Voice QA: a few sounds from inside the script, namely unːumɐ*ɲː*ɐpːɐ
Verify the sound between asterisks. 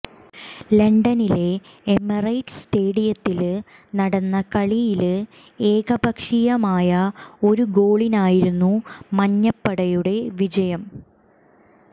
correct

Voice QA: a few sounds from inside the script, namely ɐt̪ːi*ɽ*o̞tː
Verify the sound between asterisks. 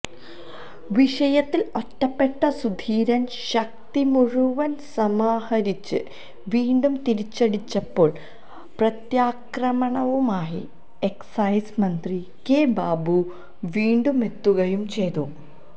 incorrect: l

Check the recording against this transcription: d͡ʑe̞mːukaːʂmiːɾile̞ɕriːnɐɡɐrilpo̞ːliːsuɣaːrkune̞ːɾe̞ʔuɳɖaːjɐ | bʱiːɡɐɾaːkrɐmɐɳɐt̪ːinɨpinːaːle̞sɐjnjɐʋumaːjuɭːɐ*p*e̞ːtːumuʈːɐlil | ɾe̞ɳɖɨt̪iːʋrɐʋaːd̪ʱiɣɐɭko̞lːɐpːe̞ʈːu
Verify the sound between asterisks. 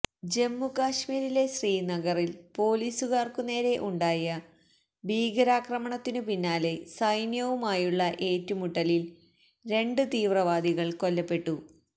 incorrect: ʔ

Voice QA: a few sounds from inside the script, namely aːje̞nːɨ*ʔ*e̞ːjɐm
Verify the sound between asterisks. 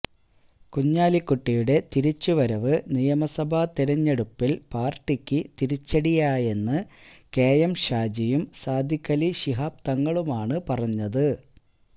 incorrect: k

